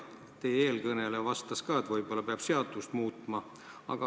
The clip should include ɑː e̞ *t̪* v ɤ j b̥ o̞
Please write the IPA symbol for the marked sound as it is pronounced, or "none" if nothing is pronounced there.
t̪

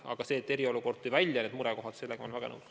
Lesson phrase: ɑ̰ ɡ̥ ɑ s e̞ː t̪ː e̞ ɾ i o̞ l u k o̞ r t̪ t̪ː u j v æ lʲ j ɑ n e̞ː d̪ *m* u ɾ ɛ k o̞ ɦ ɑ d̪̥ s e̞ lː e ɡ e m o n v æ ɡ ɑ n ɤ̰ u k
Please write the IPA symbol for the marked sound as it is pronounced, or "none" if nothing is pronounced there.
m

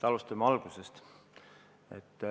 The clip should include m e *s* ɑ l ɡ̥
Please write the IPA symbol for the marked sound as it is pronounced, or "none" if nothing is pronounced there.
none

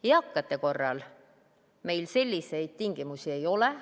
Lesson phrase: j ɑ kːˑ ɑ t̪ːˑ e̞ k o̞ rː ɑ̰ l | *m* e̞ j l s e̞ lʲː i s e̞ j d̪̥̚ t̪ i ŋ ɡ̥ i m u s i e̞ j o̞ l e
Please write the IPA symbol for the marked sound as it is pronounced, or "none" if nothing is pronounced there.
m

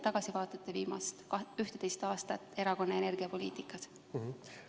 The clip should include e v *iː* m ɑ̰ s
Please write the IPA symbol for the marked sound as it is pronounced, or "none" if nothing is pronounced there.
iː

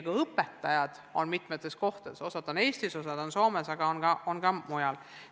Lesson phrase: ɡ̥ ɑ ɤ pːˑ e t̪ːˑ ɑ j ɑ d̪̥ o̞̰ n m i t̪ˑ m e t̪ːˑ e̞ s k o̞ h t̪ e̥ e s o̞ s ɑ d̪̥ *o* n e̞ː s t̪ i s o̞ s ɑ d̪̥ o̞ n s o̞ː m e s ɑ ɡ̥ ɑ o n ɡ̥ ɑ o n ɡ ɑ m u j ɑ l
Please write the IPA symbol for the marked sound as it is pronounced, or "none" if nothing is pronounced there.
o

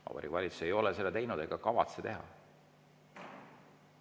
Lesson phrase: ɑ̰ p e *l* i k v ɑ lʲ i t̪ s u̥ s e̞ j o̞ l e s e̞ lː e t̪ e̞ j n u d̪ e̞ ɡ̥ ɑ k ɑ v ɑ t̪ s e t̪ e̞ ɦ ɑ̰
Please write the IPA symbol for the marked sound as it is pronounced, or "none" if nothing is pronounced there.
ɾ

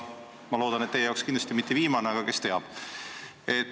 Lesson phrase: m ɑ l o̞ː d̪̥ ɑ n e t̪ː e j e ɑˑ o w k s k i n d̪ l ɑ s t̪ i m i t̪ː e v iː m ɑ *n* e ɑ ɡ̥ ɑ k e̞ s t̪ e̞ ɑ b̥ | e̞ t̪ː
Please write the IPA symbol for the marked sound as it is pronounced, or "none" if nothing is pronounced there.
n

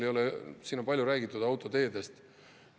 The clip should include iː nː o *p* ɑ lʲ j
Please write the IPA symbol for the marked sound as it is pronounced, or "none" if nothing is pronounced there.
p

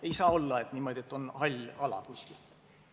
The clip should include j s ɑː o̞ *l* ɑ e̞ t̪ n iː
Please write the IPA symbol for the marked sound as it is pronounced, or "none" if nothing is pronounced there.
lː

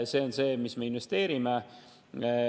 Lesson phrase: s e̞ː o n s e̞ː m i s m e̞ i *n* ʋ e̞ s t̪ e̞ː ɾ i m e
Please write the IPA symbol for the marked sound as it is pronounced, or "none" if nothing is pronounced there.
n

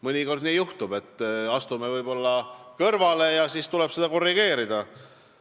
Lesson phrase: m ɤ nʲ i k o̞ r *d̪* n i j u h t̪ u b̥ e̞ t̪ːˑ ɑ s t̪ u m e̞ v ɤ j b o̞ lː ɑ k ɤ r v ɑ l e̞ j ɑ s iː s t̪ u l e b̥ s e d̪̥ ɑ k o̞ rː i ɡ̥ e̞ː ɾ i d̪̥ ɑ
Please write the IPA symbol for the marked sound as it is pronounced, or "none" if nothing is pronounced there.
d̪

